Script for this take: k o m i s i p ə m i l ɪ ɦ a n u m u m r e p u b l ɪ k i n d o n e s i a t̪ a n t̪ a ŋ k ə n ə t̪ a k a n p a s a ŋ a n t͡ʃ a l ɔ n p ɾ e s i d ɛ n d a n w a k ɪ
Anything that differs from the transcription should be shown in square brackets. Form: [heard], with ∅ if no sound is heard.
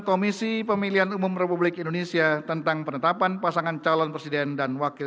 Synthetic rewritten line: k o m i s i p ə m i l [i] ɦ a n u m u m r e p u b l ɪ k i n d o n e s i a t̪ [ə] n t̪ a ŋ [p] ə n ə t̪ a [p] a n p a s a ŋ a n t͡ʃ a l ɔ n p ɾ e s i d ɛ n d a n w a k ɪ